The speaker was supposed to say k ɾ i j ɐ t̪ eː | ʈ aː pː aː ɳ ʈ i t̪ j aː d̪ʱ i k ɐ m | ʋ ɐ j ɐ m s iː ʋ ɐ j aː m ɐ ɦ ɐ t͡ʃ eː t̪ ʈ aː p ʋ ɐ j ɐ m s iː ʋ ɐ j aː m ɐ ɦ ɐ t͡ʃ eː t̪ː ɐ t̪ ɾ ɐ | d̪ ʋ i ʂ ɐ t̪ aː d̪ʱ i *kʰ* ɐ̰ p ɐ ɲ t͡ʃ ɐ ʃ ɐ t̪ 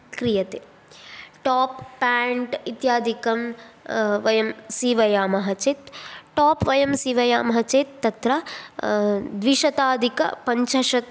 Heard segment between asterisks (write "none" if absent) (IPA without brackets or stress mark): k